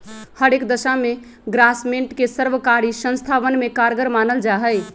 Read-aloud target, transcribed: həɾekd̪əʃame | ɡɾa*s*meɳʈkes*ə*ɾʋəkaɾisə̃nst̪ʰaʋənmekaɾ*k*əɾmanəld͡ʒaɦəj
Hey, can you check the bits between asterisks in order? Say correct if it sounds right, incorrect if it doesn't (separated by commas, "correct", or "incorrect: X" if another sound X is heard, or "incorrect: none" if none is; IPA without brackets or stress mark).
correct, correct, incorrect: ɡ